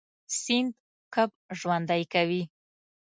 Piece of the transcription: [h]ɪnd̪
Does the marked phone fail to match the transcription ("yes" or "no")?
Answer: yes